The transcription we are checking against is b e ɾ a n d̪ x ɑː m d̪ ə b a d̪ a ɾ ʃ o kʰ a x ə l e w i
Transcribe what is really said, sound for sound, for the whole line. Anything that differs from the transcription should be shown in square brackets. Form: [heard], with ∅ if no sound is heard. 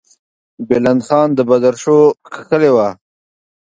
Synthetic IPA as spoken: b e [l] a n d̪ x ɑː [n] d̪ ə b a d̪ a ɾ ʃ o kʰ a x ə l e w [a]